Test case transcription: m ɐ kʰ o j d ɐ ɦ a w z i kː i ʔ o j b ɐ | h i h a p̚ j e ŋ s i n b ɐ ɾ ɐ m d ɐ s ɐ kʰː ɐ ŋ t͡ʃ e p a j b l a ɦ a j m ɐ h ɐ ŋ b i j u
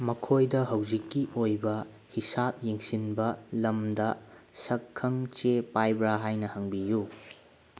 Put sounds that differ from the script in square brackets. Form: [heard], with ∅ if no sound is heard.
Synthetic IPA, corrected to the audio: m ɐ kʰ o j d ɐ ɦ [ɐ] w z i kː i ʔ o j b ɐ | h i [s] a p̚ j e ŋ s i n b ɐ [l] ɐ m d ɐ s ɐ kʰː ɐ ŋ t͡ʃ e p a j b [ɾ] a ɦ a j [n] ɐ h ɐ ŋ b i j u